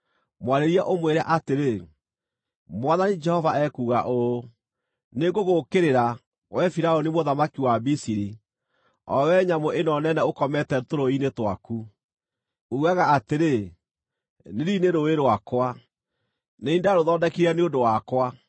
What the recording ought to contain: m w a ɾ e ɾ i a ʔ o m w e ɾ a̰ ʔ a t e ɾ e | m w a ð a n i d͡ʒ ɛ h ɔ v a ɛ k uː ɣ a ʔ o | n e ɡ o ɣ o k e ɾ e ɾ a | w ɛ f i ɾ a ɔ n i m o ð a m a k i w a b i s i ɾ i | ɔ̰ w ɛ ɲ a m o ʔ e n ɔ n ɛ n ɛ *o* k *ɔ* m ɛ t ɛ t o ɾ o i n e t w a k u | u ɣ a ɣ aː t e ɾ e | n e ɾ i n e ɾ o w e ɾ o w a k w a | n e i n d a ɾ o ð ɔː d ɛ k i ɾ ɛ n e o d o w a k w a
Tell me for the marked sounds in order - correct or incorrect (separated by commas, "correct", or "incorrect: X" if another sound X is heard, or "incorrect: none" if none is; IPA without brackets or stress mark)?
correct, correct